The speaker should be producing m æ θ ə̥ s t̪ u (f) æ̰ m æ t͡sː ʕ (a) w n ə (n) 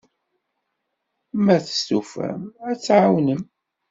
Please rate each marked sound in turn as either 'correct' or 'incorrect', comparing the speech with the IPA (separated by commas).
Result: correct, correct, incorrect